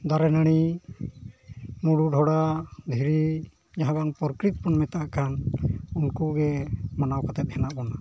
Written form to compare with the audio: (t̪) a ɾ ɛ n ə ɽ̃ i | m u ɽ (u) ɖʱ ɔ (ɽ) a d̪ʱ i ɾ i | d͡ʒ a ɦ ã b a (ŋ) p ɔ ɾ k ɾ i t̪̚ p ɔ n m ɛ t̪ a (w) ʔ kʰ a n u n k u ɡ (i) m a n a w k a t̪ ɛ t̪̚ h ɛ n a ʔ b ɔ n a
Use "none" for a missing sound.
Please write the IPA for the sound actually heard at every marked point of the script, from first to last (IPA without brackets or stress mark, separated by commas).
d̪, u, ɽ, ŋ, none, ɛ